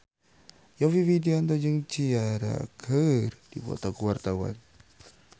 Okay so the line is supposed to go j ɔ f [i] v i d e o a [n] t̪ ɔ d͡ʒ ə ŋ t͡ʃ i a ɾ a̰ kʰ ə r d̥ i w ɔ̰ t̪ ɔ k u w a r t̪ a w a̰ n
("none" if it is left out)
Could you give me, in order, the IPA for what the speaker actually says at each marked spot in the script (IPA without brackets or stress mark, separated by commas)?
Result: i, n